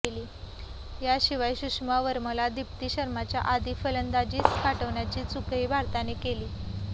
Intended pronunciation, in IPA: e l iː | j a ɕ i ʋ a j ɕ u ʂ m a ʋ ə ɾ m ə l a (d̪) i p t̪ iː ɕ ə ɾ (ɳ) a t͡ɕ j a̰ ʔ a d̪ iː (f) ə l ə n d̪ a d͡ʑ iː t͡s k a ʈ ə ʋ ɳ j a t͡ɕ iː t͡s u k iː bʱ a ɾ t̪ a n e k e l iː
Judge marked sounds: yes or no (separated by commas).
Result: yes, no, yes